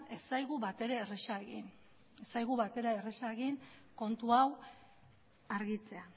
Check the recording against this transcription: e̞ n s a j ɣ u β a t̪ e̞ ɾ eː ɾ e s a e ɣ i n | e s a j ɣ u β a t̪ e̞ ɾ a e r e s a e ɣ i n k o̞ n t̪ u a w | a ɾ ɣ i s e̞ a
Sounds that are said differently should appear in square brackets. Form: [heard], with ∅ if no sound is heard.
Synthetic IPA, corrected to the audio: e̞ [∅] s a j ɣ u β a t̪ e̞ ɾ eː [r] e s a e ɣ i n | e s a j ɣ u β a t̪ e̞ ɾ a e r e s a e ɣ i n k o̞ n t̪ u a w | a ɾ ɣ i [t͡s] e̞ a